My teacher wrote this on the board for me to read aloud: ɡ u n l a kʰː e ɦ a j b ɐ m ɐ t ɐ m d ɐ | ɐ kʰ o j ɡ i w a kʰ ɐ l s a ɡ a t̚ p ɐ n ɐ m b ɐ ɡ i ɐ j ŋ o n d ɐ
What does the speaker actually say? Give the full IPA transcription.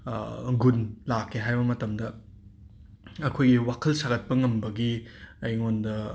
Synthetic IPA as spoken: ɡ u n l a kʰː e ɦ a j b ɐ m ɐ t ɐ m d ɐ | ɐ kʰ o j ɡ i w a kʰ ɐ l s a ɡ ɐ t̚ p ɐ ŋ ɐ m b ɐ ɡ i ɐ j ŋ o n d ɐ